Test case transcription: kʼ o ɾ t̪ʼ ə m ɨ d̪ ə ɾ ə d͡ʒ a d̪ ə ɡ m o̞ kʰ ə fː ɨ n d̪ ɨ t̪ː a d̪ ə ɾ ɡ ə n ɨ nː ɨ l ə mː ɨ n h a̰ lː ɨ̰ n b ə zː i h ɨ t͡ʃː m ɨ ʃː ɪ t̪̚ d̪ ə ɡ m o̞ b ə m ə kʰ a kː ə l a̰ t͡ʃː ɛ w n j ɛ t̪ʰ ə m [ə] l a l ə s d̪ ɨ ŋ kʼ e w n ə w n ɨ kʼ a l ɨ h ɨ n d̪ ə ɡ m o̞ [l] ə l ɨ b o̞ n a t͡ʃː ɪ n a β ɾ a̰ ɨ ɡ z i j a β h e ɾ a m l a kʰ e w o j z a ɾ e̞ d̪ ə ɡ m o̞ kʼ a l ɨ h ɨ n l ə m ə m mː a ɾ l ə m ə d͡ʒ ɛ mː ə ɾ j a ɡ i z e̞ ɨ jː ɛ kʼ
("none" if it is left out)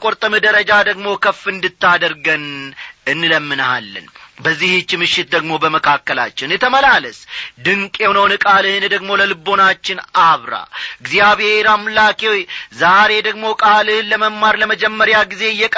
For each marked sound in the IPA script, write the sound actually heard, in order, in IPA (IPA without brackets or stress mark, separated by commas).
ə, l